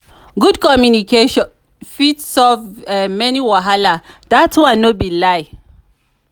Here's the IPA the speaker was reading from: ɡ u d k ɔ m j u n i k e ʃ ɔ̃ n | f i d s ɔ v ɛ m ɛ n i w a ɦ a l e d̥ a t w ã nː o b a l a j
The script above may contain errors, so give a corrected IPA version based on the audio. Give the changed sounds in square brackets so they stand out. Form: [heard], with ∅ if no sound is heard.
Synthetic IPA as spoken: ɡ u d k ɔ m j u n i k e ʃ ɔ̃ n | f i [t] s ɔ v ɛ m ɛ n i w a ɦ a l [a] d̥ a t w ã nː o b [i] l a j